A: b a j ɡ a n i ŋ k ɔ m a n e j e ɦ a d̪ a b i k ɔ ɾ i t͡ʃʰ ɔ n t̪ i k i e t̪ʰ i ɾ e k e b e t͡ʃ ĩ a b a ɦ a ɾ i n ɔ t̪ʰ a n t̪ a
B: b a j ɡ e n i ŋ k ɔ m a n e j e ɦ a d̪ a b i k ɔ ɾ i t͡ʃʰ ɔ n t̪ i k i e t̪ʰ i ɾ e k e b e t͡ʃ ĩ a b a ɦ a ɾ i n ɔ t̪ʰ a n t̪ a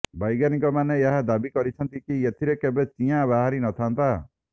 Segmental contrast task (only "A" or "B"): A